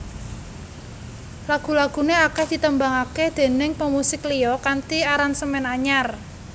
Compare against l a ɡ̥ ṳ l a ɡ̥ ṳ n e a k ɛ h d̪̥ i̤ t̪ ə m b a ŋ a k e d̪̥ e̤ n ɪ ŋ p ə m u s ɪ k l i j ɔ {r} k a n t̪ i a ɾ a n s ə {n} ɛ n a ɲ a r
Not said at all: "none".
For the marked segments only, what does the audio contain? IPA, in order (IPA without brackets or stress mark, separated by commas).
none, m